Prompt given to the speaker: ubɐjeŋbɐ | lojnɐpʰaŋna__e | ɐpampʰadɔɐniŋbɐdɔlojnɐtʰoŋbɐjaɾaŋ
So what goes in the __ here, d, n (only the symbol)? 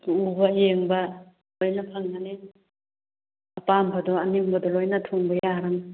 n